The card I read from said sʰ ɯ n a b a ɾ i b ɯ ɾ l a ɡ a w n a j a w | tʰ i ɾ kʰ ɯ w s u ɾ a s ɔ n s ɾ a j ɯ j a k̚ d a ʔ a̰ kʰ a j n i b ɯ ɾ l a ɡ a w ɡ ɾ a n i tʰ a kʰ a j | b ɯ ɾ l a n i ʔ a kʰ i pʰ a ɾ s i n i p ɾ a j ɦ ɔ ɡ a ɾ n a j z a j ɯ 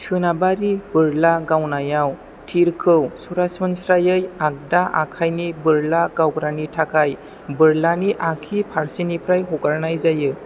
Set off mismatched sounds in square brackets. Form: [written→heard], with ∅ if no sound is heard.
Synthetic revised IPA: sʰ ɯ n a b a ɾ i b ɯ ɾ l a ɡ a w n a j a w | tʰ i ɾ kʰ ɯ w s u ɾ a s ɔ n s ɾ a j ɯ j a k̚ d a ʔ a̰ kʰ a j n i b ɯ ɾ l a ɡ a w ɡ ɾ a n i tʰ a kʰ a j | b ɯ ɾ l a n i ʔ a kʰ i pʰ a ɾ s i n i p ɾ a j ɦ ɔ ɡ a ɾ n a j z a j ɯ